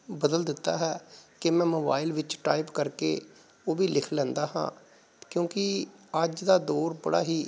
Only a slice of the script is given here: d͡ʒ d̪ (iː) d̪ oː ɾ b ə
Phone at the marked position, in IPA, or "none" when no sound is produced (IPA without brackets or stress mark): aː